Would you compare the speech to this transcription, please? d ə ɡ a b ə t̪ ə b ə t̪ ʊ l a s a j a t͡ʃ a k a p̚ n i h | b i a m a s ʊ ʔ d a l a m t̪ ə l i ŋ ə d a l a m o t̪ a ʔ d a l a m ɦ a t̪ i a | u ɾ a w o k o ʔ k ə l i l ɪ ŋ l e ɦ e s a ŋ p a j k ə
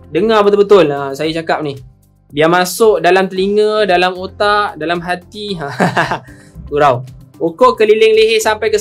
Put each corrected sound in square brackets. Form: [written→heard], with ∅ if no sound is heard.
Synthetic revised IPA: d ə [ɡ→ŋ] a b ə t̪ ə b ə t̪ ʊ l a s a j a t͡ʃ a k a p̚ n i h | b i a m a s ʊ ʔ d a l a m t̪ ə l i ŋ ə d a l a m o t̪ a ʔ d a l a m ɦ a t̪ i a | u ɾ a w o k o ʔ k ə l i l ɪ ŋ l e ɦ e s a [ŋ→m] p a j k ə